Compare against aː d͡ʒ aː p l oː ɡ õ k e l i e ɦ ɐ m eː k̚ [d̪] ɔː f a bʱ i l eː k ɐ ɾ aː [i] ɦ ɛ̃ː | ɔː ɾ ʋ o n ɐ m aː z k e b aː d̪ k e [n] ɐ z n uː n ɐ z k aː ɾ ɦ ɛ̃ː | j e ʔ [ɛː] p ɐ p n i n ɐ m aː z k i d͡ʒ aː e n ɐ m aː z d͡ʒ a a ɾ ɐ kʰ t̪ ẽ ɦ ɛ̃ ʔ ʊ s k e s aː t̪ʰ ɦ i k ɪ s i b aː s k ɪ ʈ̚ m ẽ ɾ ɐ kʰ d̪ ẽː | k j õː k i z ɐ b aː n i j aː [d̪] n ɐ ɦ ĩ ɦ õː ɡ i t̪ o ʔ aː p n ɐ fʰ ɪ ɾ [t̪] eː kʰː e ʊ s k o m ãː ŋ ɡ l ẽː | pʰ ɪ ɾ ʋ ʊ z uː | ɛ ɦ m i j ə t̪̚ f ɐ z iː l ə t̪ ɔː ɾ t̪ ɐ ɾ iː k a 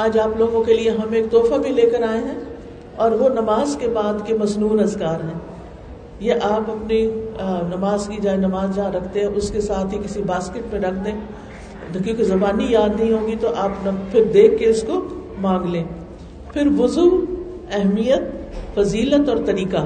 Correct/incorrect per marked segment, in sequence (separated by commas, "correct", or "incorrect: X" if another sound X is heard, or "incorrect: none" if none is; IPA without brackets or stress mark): incorrect: t̪, incorrect: e, incorrect: m, incorrect: aː, correct, incorrect: d̪